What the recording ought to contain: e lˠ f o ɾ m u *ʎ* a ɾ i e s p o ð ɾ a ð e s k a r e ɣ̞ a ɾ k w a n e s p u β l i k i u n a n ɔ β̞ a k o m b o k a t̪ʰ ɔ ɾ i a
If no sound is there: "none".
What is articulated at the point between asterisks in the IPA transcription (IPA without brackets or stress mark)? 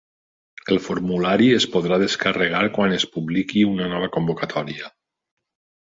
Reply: l